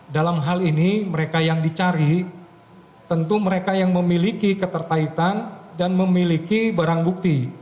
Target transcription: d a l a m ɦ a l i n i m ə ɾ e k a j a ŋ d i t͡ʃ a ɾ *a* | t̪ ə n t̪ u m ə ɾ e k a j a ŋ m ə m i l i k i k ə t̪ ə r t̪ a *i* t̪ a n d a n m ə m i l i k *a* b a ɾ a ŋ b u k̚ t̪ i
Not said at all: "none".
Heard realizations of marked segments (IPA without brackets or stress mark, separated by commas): i, i, i